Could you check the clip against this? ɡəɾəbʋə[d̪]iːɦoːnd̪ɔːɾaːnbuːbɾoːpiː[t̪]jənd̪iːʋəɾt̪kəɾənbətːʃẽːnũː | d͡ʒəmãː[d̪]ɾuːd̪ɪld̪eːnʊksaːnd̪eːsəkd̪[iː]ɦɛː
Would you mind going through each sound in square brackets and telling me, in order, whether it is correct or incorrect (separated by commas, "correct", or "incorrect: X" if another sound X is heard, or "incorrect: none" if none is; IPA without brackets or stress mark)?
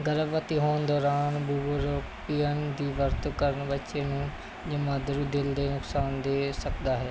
incorrect: t̪, incorrect: none, correct, incorrect: aː